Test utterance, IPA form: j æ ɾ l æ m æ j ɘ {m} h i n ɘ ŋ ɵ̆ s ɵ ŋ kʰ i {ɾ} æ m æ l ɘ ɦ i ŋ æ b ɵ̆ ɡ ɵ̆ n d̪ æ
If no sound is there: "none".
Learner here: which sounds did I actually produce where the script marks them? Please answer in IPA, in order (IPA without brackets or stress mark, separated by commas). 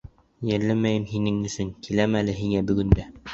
m, l